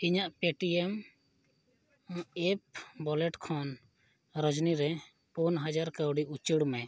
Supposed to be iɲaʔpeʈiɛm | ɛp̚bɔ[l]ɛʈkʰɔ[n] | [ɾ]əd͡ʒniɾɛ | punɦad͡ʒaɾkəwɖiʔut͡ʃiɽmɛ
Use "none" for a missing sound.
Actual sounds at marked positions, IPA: l, n, ɾ

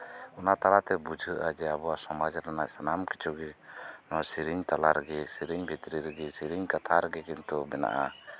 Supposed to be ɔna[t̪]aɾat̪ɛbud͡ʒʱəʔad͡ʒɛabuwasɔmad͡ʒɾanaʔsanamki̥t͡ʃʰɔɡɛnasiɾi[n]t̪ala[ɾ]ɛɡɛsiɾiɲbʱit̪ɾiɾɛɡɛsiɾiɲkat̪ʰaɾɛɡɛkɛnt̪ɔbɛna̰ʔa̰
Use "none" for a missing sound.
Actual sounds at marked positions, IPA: t̪, ɲ, ɾ

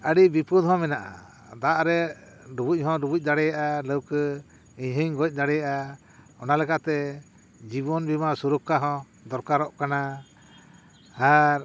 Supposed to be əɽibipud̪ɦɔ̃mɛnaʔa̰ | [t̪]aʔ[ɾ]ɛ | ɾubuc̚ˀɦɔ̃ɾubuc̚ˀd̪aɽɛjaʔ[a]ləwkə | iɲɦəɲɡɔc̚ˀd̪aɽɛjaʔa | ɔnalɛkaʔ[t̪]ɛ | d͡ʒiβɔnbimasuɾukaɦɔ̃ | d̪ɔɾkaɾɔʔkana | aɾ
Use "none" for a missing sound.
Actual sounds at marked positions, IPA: d̪, ɾ, a, t̪

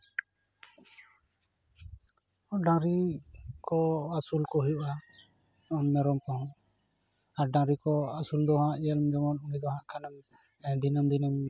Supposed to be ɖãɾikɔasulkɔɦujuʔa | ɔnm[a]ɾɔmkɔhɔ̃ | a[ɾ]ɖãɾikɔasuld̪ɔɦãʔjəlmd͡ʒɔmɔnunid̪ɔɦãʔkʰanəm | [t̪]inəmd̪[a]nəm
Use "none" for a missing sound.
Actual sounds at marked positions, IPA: ɛ, ɾ, d̪, i

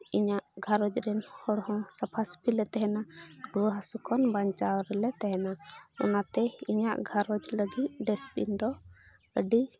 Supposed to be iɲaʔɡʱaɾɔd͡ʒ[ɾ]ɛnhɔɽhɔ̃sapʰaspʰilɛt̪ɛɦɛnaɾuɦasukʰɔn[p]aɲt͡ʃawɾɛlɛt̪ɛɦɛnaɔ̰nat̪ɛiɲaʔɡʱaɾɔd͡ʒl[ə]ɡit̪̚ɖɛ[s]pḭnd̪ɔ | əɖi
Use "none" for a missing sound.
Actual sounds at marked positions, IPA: ɾ, b, ə, s

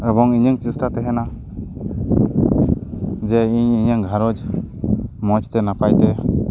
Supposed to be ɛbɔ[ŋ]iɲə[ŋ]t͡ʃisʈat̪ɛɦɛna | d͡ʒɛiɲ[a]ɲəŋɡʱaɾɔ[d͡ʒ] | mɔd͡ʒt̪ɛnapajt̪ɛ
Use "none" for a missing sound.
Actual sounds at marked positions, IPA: ŋ, ŋ, i, d͡ʒ

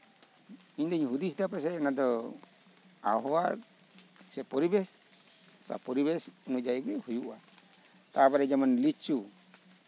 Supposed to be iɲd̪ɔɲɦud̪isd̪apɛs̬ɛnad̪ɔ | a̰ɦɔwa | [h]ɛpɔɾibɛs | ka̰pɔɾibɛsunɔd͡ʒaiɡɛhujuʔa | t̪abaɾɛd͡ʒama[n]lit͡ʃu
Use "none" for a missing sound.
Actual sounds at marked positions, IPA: s, n

